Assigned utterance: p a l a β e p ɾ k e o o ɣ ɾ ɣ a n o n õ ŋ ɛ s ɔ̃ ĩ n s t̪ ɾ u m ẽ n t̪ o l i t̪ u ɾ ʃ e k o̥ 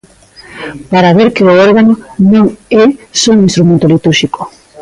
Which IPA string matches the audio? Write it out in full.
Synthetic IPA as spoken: p a ɾ a β e ɾ k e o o ɾ ɣ a n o n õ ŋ ɛ s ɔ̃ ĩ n s t̪ ɾ u m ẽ n t̪ o l i t̪ u ɾ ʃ i k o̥